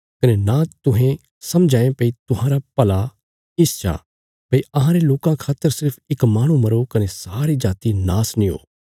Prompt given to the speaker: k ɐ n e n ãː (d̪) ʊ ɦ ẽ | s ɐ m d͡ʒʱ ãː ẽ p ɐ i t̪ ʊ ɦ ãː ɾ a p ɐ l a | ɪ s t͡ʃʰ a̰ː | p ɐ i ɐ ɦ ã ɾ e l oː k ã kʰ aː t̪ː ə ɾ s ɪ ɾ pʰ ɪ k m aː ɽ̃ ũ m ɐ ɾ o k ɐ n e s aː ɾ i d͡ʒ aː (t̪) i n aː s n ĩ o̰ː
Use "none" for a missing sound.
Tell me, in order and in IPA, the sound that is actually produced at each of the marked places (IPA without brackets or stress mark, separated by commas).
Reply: t̪, t̪